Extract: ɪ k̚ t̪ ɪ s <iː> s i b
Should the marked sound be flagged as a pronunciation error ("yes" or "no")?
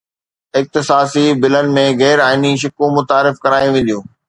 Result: yes